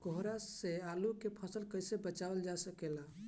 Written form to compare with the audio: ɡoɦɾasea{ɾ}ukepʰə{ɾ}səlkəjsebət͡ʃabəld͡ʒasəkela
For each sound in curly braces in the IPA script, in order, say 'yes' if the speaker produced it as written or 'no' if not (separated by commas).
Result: no, no